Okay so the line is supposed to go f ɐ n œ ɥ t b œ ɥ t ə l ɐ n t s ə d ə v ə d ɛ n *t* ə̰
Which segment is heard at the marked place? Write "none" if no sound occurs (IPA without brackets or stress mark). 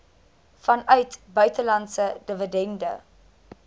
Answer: d